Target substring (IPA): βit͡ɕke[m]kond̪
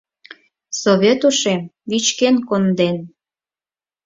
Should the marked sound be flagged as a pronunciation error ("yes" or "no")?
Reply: yes